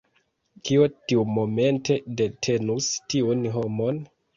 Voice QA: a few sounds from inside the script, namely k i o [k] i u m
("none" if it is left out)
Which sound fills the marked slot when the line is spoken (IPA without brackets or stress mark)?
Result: t